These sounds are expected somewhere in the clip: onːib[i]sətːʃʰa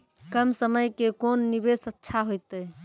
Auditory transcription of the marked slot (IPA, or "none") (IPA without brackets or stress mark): e